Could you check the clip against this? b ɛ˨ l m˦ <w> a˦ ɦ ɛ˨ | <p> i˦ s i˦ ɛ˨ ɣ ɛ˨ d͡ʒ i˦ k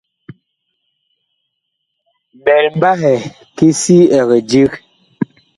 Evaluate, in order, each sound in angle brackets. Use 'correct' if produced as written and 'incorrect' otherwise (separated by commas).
incorrect, incorrect